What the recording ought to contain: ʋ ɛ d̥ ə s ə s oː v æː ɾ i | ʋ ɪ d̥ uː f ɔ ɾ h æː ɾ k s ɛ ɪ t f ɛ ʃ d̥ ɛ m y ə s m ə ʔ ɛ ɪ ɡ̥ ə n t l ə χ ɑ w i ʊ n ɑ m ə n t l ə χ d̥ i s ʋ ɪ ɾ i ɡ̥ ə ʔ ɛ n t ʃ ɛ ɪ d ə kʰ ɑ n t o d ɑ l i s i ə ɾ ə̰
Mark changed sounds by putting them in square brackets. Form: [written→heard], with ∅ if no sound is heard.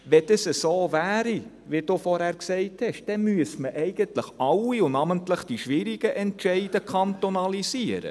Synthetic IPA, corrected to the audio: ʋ ɛ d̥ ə s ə s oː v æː ɾ i | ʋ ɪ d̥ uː f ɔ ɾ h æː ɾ k s ɛ ɪ t [f→h] ɛ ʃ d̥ ɛ m y ə s m ə ʔ ɛ ɪ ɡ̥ ə n t l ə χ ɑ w i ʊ n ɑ m ə n t l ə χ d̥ i [s→ʃ] ʋ ɪ ɾ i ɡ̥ ə ʔ ɛ n t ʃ ɛ ɪ d ə kʰ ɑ n t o [d→n] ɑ l i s i ə ɾ ə̰